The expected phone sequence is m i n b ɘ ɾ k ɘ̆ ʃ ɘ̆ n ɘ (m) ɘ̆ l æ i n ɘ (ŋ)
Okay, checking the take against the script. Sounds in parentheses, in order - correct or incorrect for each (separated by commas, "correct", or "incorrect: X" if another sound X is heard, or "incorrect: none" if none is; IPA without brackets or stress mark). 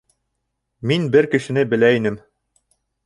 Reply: incorrect: b, incorrect: m